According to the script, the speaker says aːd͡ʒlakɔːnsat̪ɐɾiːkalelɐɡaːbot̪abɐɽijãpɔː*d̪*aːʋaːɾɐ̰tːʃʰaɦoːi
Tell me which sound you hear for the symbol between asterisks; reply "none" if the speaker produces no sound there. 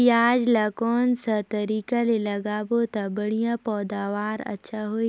d̪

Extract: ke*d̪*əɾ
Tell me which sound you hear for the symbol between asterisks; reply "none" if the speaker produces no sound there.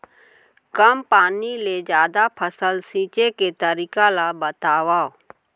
t̪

